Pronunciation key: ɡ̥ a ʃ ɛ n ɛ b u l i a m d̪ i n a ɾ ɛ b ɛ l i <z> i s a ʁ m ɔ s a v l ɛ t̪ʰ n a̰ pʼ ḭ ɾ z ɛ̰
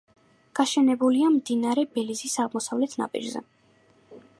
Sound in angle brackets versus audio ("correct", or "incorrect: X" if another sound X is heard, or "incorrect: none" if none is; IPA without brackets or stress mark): correct